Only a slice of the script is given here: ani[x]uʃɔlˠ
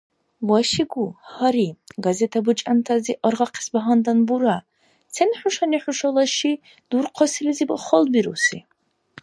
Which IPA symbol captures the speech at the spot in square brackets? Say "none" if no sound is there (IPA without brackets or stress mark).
ħ